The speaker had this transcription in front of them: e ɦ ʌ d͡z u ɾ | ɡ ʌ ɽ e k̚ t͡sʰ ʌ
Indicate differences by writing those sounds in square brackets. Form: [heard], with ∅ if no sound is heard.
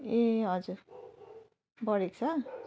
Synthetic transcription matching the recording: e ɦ ʌ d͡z u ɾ | [b] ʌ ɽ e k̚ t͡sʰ ʌ